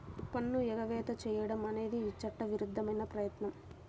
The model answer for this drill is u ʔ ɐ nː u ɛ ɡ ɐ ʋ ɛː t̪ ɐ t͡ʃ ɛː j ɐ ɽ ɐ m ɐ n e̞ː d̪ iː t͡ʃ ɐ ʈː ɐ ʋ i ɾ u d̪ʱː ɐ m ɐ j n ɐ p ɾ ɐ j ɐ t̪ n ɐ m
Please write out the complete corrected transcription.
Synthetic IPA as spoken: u p ɐ nː u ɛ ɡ ɐ ʋ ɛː t̪ ɐ t͡ʃ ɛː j ɐ ɽ ɐ m ɐ n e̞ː d̪ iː t͡ʃ ɐ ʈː ɐ ʋ i ɾ u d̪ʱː ɐ m ɐ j n ɐ p ɾ ɐ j ɐ t̪ n ɐ m